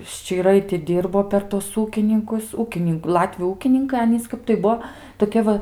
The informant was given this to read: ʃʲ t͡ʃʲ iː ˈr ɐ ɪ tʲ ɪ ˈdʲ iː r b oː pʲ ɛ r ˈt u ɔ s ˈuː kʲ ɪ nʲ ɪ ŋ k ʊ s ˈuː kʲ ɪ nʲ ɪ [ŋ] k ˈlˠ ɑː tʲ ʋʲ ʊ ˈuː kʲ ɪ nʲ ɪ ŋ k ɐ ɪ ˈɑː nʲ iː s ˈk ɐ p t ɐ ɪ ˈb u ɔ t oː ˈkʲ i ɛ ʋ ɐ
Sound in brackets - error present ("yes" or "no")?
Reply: no